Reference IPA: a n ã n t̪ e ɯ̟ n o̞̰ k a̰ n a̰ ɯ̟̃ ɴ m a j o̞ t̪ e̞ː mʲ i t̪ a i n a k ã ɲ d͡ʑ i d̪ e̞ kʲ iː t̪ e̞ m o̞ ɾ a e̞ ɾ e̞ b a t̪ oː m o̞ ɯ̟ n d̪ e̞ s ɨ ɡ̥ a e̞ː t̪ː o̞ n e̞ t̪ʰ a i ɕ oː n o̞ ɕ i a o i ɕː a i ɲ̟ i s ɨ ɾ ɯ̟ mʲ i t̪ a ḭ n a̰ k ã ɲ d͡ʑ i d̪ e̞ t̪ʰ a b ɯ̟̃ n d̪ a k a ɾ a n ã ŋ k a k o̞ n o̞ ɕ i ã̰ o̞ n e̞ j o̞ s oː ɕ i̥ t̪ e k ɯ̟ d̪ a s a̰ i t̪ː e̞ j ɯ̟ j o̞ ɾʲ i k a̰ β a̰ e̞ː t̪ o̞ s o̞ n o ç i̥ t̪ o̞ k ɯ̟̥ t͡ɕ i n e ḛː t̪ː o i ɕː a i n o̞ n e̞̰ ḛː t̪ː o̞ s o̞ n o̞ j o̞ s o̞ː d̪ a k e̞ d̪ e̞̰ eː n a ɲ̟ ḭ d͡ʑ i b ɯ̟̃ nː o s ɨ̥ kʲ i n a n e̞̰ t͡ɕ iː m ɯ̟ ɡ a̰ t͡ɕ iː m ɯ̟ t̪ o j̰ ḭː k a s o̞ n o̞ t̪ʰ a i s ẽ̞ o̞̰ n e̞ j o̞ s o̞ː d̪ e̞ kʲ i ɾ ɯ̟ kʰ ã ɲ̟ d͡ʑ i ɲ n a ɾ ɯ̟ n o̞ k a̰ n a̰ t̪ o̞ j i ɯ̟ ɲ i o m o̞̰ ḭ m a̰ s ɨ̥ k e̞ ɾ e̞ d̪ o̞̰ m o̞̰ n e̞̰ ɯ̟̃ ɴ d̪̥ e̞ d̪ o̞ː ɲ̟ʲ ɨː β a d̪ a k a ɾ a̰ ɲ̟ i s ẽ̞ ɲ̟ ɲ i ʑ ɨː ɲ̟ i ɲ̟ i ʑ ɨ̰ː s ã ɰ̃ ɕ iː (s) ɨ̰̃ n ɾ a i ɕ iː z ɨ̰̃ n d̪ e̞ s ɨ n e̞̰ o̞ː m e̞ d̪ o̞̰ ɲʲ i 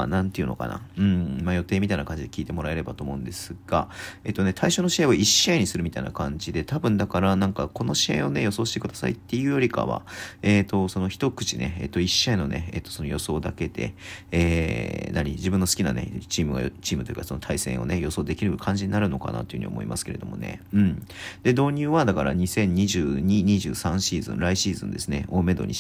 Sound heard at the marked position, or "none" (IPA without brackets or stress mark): z